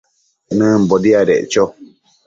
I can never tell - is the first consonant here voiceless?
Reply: no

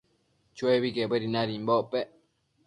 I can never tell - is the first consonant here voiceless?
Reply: yes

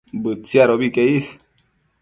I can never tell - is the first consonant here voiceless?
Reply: no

